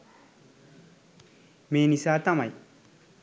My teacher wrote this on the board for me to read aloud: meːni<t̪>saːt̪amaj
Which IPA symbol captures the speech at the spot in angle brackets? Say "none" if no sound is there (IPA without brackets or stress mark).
none